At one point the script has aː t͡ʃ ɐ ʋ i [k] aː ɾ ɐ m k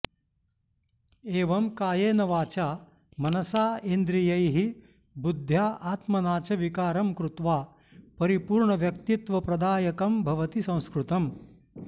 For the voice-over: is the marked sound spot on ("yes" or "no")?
yes